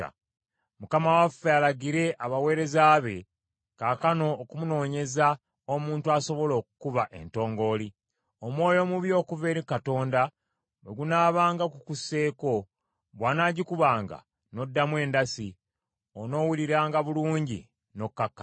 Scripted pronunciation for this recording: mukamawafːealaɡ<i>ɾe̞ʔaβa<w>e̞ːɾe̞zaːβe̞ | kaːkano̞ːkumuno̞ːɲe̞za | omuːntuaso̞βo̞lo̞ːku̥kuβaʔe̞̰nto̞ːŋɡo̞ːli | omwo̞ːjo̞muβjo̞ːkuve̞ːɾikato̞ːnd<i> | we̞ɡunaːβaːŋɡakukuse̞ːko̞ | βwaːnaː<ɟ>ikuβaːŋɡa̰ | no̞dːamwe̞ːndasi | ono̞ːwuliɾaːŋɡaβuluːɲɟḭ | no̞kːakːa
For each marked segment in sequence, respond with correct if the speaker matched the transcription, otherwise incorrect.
correct, correct, incorrect, correct

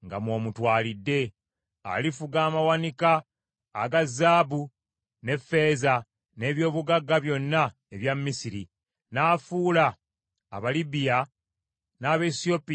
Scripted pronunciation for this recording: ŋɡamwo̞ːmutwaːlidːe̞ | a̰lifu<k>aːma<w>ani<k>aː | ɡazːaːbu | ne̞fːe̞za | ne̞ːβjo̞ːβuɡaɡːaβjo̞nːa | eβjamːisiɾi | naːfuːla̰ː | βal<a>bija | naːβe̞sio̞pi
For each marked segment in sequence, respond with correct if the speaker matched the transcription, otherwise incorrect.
incorrect, correct, correct, incorrect

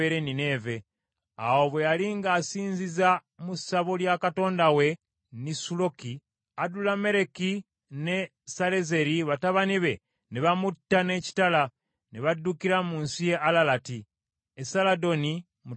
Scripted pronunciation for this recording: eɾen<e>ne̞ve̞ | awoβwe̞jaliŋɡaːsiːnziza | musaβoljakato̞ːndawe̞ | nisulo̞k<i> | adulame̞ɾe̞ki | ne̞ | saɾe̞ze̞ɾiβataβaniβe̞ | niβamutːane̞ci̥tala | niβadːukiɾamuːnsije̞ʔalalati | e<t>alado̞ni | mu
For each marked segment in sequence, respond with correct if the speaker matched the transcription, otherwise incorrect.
incorrect, correct, incorrect

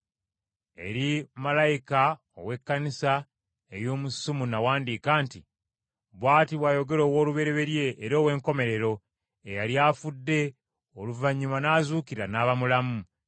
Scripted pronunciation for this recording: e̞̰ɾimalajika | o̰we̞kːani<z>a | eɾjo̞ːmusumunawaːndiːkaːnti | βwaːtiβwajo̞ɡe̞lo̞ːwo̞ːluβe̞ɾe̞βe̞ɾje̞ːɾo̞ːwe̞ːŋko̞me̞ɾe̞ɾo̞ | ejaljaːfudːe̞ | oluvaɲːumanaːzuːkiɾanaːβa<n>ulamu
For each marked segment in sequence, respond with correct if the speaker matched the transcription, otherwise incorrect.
incorrect, incorrect

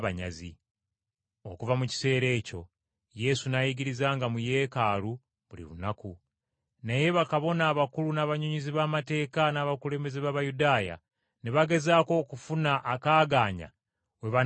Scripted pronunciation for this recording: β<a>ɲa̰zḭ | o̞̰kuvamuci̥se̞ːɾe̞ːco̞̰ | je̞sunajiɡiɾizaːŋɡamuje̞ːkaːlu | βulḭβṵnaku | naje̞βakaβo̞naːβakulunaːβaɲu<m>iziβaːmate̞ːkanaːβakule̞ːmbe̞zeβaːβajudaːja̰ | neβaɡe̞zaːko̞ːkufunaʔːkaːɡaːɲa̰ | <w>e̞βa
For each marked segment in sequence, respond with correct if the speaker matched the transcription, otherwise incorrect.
correct, incorrect, correct

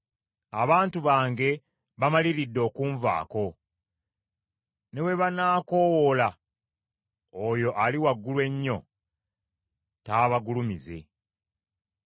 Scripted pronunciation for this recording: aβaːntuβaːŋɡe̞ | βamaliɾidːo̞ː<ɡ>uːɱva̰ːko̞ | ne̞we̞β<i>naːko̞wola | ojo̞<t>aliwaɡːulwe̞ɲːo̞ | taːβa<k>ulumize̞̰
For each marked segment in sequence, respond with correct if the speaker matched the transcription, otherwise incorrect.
incorrect, incorrect, incorrect, incorrect

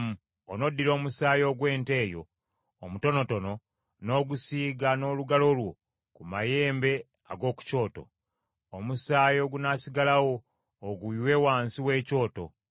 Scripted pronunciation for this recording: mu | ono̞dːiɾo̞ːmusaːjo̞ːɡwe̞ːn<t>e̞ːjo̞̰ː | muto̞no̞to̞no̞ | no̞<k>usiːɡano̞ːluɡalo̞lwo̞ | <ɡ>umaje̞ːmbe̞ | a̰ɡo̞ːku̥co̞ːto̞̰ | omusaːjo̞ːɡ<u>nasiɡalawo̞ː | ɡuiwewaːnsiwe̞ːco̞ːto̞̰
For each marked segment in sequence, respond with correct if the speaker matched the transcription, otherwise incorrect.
correct, incorrect, incorrect, correct

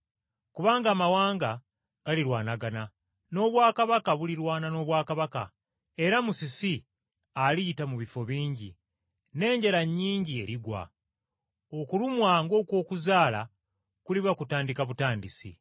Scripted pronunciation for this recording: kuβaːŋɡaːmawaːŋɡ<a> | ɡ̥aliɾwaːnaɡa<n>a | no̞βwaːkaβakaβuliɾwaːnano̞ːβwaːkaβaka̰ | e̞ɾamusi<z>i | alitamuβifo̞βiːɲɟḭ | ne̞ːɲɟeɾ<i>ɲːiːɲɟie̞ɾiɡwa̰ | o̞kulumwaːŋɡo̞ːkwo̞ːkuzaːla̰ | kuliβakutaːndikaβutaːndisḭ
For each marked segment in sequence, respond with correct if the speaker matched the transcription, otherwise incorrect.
correct, correct, incorrect, incorrect

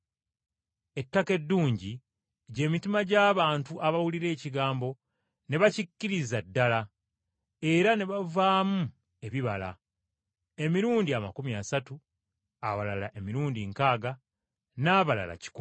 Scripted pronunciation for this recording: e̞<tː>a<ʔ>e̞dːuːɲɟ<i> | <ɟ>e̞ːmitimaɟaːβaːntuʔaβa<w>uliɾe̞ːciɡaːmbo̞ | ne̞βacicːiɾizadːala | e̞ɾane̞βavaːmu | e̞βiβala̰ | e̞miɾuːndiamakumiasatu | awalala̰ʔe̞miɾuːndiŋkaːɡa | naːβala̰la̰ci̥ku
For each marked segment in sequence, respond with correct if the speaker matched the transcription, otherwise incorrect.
correct, incorrect, correct, correct, correct

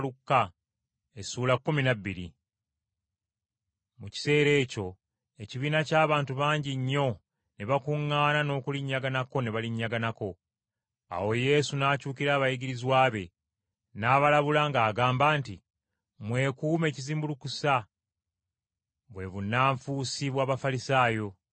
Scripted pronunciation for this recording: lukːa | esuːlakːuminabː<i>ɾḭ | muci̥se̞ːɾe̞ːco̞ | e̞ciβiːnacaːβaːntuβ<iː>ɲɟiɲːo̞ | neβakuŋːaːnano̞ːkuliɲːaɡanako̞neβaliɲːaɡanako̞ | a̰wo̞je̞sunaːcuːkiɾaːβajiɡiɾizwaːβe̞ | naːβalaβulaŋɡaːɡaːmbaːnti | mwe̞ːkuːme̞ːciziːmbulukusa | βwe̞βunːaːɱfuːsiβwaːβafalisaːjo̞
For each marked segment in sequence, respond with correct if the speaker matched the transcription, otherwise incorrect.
correct, incorrect

